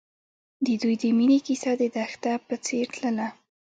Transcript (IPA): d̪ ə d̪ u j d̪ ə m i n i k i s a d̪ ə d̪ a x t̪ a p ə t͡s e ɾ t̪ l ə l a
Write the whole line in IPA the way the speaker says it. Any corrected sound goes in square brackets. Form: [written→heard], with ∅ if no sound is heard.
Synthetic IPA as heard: d̪ ə d̪ u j d̪ ə m i n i k i s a d̪ ə d̪ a x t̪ a p ə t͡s e ɾ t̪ l ə l a

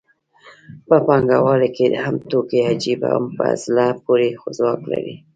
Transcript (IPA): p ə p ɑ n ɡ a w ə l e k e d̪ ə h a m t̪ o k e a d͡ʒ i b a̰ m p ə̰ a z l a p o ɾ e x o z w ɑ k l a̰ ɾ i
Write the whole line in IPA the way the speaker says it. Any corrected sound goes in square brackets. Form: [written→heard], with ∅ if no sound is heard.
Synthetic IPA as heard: p ə p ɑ [n→ŋ] ɡ a w [ə→ɑ] l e k e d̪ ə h a m t̪ o k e a d͡ʒ i b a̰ m p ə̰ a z l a p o ɾ e x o z w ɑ k l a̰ ɾ i

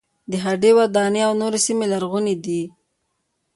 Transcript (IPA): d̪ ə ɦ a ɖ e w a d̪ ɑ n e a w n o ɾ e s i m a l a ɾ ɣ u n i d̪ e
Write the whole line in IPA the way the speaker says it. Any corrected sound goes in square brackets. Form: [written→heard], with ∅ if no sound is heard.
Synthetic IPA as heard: d̪ ə ɦ a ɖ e w a d̪ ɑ n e a w n o ɾ e s i m [a→e] l a ɾ ɣ u n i d̪ [e→i]

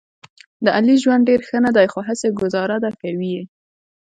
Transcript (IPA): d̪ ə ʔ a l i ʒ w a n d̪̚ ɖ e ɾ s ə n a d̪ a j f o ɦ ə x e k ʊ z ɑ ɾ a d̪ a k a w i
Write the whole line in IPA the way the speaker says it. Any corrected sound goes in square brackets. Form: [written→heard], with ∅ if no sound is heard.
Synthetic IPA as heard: d̪ ə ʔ a l i ʒ w a n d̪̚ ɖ e ɾ [s→x] ə n a d̪ a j [f→x] o ɦ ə [x→s] e [k→ɡ] ʊ z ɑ ɾ a d̪ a k a w i

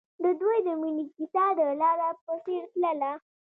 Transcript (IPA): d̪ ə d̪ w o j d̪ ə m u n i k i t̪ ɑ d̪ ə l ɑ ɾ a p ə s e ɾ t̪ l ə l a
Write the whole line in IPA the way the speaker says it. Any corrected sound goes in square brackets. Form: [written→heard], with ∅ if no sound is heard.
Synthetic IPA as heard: d̪ ə d̪ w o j d̪ ə m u n i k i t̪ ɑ d̪ ə l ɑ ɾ a p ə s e ɾ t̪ l ə l a

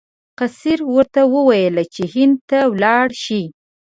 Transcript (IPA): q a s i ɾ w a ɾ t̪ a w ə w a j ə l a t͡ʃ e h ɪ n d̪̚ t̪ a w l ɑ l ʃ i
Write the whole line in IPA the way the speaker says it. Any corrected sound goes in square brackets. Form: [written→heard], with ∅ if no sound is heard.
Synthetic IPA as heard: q a s i ɾ w [a→ə] ɾ t̪ a w ə w a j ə l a t͡ʃ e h ɪ n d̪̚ t̪ a w l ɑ [l→ɽ] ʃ i

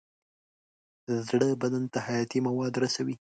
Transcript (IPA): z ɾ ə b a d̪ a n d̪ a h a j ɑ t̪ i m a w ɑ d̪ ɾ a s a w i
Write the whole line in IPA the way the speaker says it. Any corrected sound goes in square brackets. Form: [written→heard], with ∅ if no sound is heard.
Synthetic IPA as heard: z [ɾ→ɽ] ə b a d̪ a n [d̪→t̪] a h a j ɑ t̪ i m a w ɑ d̪ ɾ a s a w i

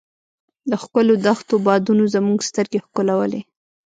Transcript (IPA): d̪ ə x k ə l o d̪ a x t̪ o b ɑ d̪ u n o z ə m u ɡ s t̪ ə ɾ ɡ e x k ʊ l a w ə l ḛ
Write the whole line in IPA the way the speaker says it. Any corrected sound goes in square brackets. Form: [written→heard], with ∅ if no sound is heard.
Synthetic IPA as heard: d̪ ə x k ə l o d̪ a x t̪ o b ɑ d̪ u n o z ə m u ɡ s t̪ ə ɾ ɡ e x k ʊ l a w ə l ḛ

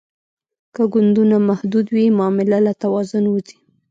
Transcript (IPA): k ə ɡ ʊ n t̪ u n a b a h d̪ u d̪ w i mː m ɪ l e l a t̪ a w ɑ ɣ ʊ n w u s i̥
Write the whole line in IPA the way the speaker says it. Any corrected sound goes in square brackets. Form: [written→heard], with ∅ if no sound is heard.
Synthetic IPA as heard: k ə ɡ ʊ n [t̪→d̪] u n a [b→m] a h d̪ u d̪ w i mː m ɪ l [e→a] l a t̪ a w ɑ [ɣ→z] ʊ n w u [s→z] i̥

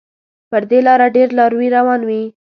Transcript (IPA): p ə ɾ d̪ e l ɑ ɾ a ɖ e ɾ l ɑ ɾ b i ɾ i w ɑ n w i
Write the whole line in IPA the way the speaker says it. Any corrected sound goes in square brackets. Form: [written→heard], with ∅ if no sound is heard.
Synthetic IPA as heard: p ə ɾ d̪ e l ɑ ɾ a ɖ e ɾ l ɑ ɾ [b→w] i ɾ [i→a] w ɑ n w i

